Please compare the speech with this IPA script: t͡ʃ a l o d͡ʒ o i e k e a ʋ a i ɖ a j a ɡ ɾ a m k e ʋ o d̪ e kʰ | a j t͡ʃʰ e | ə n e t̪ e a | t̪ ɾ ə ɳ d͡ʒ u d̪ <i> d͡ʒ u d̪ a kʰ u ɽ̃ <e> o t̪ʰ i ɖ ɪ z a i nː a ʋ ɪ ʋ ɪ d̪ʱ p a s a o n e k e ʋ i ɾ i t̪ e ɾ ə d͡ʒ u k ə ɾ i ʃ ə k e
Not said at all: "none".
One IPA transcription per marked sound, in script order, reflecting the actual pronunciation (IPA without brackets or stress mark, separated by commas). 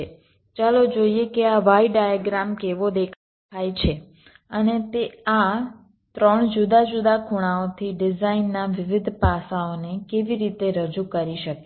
a, a